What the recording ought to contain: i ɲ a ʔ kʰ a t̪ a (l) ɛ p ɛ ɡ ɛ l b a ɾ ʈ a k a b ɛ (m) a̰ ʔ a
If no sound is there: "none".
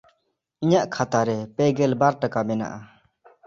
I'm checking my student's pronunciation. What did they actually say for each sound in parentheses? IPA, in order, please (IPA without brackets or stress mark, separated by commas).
ɾ, n